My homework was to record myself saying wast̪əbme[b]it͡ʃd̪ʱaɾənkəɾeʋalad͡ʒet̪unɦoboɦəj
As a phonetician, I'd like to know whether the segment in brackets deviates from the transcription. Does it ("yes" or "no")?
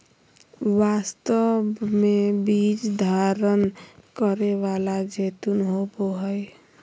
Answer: no